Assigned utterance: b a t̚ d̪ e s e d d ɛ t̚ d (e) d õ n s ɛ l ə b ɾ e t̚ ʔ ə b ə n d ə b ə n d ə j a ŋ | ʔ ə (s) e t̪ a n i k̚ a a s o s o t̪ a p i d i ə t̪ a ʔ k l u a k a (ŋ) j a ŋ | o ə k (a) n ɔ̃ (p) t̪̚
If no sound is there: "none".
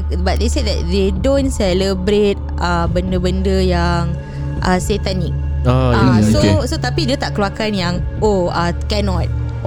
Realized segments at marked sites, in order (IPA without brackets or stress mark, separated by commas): e, s, n, ɛ, none